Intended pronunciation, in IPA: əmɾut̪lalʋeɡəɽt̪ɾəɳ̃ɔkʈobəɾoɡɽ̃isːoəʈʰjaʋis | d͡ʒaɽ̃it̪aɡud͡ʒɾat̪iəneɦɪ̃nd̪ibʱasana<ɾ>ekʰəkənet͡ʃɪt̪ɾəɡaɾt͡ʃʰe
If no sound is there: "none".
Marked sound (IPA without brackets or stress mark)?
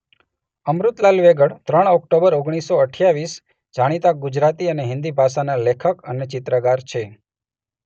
l